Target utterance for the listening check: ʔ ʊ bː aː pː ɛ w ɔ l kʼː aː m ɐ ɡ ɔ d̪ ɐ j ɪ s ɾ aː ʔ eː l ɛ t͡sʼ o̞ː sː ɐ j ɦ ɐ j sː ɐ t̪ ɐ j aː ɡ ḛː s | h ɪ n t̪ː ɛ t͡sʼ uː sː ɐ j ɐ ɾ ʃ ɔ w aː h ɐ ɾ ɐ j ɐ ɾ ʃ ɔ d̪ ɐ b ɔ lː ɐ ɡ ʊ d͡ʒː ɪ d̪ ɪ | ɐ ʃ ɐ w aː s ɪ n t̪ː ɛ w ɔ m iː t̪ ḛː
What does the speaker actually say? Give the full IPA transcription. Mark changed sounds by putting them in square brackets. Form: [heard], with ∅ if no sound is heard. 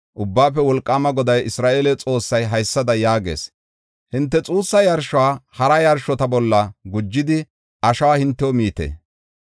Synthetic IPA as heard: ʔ ʊ bː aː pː ɛ w ɔ l kʼː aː m ɐ ɡ ɔ d̪ ɐ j ɪ s ɾ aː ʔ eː l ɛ t͡sʼ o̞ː sː ɐ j ɦ ɐ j sː ɐ [d̪] ɐ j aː ɡ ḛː s | h ɪ n t̪ː ɛ t͡sʼ uː sː ɐ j ɐ ɾ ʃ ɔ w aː h ɐ ɾ ɐ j ɐ ɾ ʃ ɔ [t̪] ɐ b ɔ lː ɐ ɡ ʊ d͡ʒː ɪ d̪ ɪ | ɐ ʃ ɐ w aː [h] ɪ n t̪ː ɛ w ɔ m iː t̪ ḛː